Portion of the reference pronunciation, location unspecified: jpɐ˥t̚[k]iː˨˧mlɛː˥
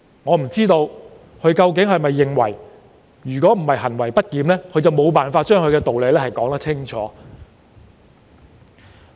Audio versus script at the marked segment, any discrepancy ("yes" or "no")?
no